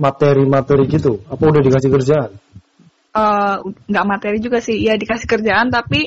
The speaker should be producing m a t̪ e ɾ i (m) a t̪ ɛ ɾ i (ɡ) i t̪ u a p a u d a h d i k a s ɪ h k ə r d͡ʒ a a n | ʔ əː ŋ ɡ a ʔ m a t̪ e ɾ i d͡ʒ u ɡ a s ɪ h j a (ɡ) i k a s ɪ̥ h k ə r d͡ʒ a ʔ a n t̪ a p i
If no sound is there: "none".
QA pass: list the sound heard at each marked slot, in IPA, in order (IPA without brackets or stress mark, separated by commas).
m, ɡ, d